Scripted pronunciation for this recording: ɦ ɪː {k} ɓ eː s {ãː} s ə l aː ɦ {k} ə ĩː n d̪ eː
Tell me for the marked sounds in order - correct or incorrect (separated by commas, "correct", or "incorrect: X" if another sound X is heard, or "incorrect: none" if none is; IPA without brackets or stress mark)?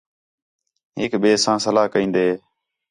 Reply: correct, correct, correct